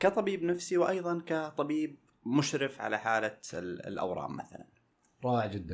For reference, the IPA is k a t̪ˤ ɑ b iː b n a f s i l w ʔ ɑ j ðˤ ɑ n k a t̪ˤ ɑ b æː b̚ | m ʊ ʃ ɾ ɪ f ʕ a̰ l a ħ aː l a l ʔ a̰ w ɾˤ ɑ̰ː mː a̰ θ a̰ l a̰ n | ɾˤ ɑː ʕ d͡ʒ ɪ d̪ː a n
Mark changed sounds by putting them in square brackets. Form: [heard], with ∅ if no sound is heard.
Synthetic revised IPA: k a t̪ˤ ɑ b iː b n a f s i [∅] w ʔ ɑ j ðˤ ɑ n k a t̪ˤ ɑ b [iː] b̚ | m ʊ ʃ ɾ ɪ f ʕ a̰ l a ħ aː l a l ʔ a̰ w ɾˤ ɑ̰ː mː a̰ θ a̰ l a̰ n | ɾˤ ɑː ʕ d͡ʒ ɪ d̪ː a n